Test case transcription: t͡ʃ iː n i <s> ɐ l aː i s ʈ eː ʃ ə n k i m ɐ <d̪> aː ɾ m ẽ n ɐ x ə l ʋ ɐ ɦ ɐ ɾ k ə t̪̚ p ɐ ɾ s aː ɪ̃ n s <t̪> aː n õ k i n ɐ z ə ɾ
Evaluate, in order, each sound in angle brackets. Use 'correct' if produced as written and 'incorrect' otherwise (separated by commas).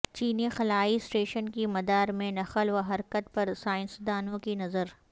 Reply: incorrect, correct, incorrect